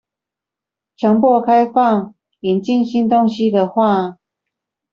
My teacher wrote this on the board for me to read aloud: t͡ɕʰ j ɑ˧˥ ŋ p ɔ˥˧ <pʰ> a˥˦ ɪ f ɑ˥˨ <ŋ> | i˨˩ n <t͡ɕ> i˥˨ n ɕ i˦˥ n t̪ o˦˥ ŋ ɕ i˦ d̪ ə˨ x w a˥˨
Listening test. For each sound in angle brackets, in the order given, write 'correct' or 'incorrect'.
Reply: incorrect: kʰ, correct, correct

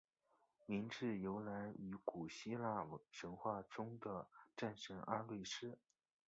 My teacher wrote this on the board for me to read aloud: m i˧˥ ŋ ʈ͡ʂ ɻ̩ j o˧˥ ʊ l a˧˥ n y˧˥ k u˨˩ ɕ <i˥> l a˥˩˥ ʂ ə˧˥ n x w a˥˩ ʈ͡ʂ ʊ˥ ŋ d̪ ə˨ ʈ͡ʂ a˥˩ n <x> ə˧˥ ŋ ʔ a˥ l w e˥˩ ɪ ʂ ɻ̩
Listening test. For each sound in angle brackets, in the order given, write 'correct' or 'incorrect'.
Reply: correct, incorrect: ʂ

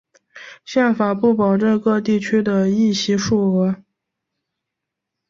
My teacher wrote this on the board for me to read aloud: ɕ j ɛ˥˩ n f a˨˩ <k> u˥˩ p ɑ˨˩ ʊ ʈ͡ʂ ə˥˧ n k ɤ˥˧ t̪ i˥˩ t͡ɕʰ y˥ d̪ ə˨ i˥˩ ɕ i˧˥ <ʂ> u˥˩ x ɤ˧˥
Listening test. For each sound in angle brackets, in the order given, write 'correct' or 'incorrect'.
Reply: incorrect: p, correct

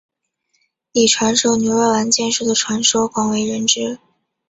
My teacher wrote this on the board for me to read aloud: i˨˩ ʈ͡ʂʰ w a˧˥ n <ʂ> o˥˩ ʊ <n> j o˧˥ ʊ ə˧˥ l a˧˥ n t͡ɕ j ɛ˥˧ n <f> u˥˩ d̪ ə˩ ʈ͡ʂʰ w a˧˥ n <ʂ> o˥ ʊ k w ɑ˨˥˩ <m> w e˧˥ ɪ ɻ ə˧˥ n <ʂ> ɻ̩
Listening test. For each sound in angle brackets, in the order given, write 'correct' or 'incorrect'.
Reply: correct, correct, incorrect: ʂ, correct, incorrect: ŋ, incorrect: ʈ͡ʂ

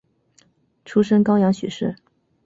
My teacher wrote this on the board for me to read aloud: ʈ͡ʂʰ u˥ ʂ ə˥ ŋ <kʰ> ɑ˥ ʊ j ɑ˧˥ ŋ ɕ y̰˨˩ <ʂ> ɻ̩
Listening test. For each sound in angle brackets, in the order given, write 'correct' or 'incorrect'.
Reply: incorrect: k, correct

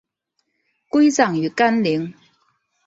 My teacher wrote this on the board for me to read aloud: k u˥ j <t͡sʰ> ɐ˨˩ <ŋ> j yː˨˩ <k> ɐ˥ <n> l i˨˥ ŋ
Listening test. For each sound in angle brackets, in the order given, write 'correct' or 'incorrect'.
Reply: incorrect: t͡s, correct, correct, correct

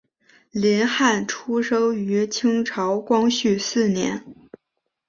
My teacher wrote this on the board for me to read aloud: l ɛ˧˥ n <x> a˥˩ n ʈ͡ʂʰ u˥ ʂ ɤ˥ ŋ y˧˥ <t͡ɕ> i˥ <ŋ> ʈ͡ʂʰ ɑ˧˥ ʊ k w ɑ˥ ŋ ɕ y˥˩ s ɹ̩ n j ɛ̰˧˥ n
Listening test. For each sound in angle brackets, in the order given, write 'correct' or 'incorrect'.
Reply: correct, incorrect: t͡ɕʰ, correct

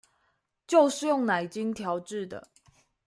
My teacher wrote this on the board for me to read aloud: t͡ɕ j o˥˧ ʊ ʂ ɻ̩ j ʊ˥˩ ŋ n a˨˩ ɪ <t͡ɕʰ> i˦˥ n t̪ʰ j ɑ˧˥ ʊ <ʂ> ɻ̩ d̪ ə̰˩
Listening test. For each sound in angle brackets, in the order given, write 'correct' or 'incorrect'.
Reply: incorrect: t͡ɕ, incorrect: ʈ͡ʂ

